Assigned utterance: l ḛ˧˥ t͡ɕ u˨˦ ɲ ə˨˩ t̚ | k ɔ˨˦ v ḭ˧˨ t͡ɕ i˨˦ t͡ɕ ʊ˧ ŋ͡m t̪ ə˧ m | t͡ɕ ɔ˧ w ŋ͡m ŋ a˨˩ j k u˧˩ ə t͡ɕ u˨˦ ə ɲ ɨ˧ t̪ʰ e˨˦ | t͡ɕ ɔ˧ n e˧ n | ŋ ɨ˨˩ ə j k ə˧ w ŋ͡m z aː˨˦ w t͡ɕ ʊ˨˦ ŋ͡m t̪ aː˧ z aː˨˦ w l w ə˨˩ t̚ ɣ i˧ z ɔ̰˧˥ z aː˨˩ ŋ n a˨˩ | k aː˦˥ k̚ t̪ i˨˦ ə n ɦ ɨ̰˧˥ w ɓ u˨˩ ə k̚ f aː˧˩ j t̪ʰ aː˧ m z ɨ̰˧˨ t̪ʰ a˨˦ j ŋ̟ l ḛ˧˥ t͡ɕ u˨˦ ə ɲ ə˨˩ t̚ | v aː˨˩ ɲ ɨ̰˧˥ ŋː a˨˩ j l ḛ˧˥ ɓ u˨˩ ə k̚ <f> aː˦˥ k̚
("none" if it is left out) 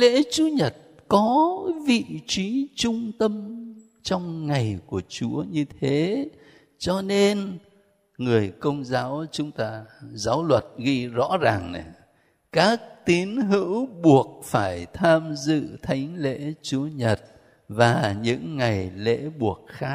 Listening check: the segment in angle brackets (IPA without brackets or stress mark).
x